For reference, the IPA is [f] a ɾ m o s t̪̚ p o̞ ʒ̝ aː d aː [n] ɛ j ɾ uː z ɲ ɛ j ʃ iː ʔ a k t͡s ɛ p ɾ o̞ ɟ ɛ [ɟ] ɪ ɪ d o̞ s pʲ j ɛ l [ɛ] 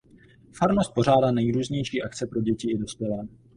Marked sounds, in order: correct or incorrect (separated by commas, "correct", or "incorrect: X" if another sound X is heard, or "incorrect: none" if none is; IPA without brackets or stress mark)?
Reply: correct, correct, incorrect: c, incorrect: ɛː